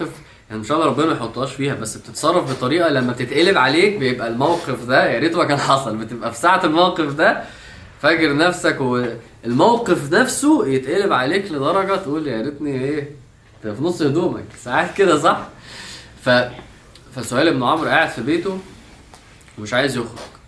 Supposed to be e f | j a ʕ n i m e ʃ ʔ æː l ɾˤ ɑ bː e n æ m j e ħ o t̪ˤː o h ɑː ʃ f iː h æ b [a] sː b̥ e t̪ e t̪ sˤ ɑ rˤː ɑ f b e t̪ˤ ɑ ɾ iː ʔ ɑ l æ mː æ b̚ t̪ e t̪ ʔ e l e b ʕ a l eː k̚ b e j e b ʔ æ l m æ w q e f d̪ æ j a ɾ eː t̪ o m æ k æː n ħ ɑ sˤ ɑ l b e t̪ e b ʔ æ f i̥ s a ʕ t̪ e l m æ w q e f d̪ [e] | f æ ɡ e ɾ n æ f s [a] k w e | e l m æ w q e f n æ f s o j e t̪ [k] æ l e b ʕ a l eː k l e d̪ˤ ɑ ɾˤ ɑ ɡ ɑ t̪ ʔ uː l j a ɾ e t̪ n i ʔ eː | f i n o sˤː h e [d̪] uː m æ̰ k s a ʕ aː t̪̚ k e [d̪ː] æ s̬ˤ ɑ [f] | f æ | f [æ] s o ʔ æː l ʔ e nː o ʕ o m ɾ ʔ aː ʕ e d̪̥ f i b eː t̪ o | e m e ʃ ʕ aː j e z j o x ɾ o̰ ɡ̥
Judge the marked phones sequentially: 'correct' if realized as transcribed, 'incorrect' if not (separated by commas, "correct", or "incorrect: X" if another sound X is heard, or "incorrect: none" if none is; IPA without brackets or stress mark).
incorrect: æ, incorrect: æ, incorrect: æ, incorrect: ʔ, correct, incorrect: d̪, incorrect: ħ, correct